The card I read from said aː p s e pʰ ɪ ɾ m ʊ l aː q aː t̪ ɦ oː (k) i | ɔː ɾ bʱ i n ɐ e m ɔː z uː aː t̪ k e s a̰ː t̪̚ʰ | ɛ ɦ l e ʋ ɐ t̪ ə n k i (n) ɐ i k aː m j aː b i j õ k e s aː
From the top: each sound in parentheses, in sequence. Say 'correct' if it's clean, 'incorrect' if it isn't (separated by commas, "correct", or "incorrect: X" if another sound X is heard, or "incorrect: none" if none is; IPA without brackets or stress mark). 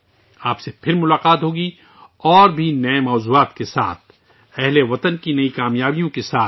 incorrect: ɡ, correct